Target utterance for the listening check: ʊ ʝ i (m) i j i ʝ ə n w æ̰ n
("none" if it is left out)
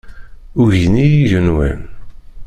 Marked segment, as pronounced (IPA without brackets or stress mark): n